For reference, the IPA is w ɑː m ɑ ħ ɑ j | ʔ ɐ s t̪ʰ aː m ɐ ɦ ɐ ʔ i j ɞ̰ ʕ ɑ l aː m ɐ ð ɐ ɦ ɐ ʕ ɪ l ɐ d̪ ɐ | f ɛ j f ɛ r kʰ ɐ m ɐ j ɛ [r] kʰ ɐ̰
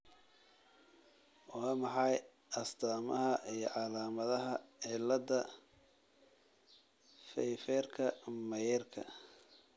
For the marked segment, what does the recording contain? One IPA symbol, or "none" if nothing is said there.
r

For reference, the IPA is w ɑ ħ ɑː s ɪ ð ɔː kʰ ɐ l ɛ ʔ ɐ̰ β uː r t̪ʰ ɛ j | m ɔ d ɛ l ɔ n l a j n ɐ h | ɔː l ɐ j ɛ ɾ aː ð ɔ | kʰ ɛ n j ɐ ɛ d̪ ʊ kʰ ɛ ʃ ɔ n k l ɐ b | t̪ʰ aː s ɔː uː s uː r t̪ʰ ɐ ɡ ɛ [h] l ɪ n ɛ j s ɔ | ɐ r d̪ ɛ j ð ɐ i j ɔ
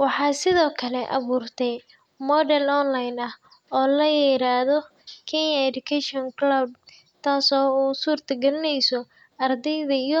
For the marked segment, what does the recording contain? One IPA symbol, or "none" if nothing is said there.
none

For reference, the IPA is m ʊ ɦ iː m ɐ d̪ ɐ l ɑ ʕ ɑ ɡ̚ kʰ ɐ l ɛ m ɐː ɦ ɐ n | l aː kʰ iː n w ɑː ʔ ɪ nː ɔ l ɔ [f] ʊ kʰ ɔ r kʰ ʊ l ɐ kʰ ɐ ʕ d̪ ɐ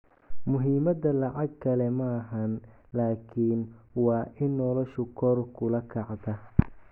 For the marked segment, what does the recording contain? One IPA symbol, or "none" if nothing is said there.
ʃ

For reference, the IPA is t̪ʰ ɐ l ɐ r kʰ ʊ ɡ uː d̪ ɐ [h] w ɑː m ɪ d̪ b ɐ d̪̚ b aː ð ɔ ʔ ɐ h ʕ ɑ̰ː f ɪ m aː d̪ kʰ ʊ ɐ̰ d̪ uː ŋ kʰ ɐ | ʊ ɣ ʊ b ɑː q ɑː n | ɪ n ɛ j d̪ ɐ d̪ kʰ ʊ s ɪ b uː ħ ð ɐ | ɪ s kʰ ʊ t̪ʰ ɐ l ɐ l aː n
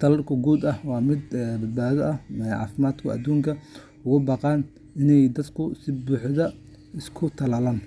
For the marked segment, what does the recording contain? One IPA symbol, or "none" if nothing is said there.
h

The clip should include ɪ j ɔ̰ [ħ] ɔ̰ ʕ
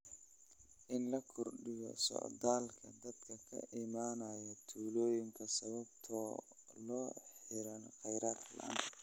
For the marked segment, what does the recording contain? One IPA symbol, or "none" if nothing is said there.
s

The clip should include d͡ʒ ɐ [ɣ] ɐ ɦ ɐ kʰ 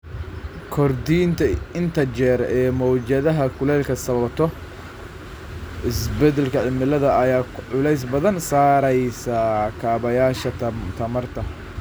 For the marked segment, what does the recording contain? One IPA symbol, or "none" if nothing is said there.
ð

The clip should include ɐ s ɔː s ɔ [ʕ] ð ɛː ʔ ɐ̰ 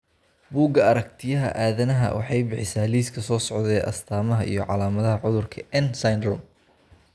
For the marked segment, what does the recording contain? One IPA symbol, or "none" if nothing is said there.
ʕ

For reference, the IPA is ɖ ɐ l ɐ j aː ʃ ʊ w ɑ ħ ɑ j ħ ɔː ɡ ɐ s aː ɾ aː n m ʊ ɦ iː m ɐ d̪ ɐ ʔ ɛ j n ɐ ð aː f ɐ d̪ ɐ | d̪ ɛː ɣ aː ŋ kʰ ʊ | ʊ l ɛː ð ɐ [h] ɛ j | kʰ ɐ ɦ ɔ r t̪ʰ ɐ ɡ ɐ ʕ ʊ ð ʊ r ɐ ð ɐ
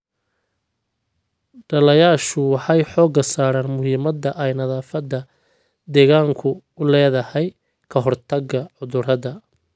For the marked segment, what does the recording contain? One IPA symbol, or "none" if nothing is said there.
h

